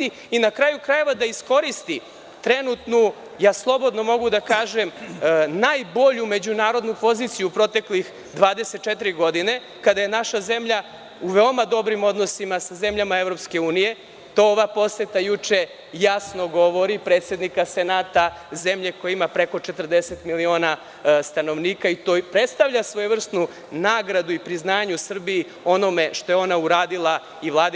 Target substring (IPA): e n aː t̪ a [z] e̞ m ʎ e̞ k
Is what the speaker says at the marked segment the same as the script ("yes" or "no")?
yes